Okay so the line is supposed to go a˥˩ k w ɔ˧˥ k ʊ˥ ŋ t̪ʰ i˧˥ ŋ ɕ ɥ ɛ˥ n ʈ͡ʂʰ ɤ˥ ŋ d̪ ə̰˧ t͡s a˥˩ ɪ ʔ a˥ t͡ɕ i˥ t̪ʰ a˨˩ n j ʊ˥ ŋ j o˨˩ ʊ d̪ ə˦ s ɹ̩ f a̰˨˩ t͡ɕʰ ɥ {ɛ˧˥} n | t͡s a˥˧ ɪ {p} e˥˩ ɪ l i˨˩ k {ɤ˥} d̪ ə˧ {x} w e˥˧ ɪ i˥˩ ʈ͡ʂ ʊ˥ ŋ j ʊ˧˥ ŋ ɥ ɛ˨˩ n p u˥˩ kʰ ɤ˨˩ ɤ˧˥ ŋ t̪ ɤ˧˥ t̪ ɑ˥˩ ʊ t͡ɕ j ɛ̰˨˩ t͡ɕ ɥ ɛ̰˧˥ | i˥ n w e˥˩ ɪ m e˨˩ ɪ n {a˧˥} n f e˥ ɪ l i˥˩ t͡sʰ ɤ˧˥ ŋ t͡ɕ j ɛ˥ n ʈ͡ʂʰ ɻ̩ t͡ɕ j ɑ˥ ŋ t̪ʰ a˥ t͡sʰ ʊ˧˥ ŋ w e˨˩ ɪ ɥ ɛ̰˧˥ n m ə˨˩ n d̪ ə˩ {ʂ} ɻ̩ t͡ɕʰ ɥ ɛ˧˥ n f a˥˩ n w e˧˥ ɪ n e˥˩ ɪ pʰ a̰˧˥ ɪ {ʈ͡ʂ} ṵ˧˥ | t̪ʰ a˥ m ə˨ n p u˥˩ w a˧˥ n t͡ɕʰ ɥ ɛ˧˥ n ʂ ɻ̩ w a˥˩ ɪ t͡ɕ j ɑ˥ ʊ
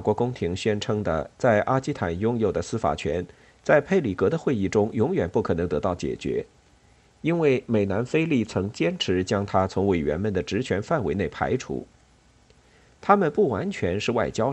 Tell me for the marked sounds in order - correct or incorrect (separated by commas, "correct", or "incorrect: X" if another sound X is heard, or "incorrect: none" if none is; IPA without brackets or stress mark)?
correct, incorrect: pʰ, incorrect: ɤ˧˥, correct, correct, incorrect: ʈ͡ʂ, incorrect: ʈ͡ʂʰ